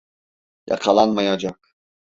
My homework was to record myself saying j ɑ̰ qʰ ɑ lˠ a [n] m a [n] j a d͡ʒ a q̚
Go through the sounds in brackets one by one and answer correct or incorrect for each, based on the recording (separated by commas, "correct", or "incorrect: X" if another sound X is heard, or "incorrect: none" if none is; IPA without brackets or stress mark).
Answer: correct, incorrect: none